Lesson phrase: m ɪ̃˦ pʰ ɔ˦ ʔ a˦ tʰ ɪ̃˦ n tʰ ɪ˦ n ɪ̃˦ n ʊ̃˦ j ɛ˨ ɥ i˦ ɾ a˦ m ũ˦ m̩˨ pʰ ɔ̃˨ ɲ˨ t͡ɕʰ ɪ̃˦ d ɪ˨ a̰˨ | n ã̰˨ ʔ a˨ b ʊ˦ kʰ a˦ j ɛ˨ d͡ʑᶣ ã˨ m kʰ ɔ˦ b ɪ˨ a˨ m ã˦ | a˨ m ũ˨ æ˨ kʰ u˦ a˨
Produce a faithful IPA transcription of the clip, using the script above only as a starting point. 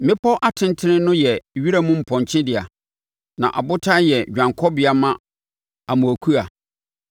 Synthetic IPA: m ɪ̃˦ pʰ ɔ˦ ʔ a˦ tʰ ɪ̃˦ n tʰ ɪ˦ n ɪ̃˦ n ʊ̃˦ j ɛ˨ ɥ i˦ ɾ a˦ m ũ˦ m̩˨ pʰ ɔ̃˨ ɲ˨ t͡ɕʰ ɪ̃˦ d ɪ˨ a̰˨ | n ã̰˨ ʔ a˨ b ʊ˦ tʰ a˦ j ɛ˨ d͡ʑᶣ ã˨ ŋ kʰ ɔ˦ b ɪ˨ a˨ m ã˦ | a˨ m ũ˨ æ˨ kʰ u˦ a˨